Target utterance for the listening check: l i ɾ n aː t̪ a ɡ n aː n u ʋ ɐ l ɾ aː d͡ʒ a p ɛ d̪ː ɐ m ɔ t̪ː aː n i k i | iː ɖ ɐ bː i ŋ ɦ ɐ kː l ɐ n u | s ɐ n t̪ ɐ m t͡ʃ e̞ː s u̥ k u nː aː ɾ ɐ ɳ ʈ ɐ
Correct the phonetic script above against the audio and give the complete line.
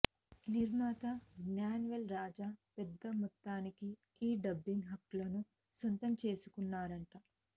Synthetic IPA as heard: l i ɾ n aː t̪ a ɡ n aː n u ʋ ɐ l ɾ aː d͡ʒ a p ɛ d̪ː ɐ m ɔ t̪ː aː n i k i | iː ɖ ɐ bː i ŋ ɦ ɐ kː l ɐ n u | s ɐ n t̪ ɐ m t͡ʃ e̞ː s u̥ k u nː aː ɾ ɐ ɳ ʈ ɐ